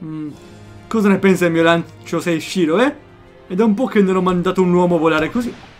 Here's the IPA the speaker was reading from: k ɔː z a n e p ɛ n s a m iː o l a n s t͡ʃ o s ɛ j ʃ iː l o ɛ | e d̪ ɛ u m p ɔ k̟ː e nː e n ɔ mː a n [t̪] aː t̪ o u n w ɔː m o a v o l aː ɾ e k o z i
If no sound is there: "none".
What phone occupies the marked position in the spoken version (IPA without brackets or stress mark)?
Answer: d̪